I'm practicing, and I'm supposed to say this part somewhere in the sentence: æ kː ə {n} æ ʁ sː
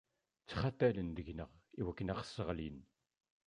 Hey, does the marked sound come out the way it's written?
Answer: yes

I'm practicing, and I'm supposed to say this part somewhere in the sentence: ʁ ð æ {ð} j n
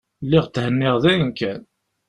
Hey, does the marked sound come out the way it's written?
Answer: no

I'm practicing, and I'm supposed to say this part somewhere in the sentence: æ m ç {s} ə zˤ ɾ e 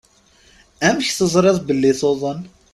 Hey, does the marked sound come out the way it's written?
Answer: no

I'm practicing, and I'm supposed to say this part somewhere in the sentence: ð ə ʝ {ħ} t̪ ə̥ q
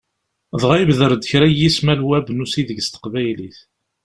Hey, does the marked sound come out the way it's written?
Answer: no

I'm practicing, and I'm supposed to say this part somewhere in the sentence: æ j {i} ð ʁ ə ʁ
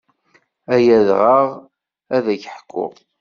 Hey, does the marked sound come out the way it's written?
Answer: no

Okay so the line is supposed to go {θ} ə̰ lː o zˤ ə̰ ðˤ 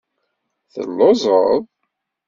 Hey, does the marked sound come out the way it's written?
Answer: yes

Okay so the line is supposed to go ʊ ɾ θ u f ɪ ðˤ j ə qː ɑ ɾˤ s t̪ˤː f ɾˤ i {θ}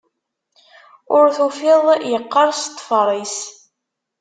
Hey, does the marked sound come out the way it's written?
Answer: no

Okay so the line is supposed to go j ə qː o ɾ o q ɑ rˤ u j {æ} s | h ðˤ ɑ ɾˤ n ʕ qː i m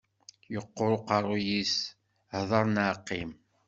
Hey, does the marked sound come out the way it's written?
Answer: no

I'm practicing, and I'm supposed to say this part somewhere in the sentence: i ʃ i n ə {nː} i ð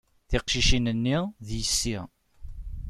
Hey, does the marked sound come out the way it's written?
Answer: yes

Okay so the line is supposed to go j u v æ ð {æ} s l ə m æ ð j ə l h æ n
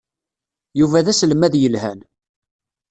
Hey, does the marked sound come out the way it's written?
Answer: yes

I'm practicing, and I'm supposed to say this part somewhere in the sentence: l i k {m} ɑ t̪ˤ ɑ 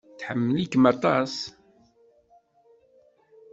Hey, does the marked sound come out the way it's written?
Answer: yes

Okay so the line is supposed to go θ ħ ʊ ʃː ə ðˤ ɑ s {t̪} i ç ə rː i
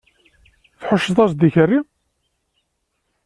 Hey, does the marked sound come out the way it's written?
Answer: no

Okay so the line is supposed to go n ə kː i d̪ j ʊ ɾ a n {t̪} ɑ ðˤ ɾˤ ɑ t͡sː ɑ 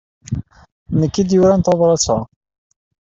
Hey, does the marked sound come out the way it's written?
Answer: yes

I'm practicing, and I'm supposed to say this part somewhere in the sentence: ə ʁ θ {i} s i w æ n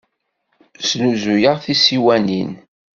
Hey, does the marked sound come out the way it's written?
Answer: yes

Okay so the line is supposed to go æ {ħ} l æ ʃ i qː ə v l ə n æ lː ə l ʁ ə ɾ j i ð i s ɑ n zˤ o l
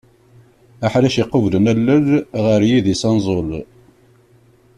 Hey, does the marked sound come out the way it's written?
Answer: yes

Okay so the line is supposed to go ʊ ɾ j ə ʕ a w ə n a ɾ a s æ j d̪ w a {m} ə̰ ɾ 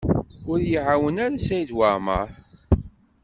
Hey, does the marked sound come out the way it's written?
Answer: yes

